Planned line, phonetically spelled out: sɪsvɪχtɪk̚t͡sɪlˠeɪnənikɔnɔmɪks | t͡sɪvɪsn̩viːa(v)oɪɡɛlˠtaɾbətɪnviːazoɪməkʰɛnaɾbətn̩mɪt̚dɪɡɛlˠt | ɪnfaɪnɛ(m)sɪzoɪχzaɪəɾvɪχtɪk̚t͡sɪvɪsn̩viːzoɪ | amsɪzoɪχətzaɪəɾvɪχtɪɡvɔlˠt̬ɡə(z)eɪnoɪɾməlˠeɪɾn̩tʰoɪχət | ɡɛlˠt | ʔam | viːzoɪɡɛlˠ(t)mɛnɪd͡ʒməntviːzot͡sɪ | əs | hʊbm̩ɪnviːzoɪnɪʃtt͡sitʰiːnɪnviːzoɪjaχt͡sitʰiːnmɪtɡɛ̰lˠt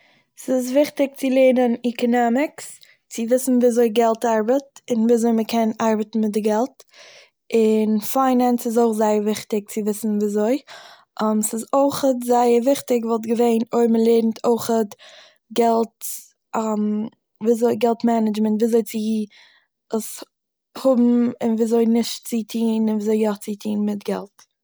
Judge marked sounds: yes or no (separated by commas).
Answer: no, no, no, yes